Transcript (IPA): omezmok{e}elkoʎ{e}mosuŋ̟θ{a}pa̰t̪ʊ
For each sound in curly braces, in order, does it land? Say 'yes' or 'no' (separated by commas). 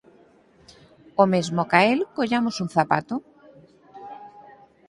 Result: no, no, yes